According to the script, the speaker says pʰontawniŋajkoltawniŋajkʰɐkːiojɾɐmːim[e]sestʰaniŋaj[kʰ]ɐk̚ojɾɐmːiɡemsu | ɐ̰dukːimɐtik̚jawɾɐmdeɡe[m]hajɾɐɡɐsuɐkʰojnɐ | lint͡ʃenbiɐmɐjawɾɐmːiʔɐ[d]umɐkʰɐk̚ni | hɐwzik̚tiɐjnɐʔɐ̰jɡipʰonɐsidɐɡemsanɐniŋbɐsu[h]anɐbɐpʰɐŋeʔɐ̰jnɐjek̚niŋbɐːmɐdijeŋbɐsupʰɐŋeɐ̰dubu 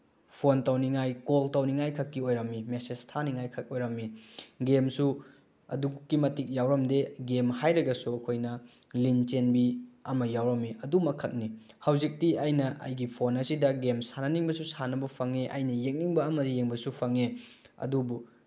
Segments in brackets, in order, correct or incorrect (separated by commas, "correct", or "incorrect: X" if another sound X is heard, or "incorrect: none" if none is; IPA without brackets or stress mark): correct, correct, correct, correct, incorrect: s